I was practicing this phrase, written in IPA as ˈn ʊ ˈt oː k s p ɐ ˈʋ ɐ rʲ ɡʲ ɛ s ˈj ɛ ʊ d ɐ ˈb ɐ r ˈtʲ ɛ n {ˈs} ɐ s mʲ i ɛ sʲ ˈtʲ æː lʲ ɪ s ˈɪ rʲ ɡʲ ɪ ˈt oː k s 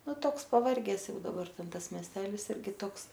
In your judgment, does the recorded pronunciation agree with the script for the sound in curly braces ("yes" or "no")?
no